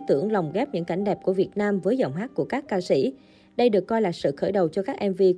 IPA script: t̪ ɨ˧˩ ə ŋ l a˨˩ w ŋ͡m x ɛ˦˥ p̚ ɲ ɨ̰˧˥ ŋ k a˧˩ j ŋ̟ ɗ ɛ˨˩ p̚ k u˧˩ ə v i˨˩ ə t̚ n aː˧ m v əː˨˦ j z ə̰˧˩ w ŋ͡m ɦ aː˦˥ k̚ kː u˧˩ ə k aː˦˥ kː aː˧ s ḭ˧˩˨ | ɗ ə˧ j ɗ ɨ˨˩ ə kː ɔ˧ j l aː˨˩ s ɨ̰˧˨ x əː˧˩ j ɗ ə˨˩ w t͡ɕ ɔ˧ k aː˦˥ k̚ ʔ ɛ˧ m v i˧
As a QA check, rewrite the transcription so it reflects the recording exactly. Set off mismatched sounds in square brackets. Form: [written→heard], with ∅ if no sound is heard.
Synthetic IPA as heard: t̪ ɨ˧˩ ə ŋ l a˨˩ w ŋ͡m [x→ɣ] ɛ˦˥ p̚ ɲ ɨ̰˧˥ ŋ k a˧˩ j ŋ̟ ɗ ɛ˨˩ p̚ k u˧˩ ə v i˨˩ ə t̚ n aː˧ m v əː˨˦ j z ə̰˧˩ w ŋ͡m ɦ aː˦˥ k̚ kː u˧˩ ə k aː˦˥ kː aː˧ s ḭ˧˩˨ | ɗ ə˧ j ɗ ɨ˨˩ ə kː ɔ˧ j l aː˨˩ s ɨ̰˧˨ x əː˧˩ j ɗ ə˨˩ w t͡ɕ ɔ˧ k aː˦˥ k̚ ʔ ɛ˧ m v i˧